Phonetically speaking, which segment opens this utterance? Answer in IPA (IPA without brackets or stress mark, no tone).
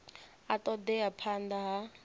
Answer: a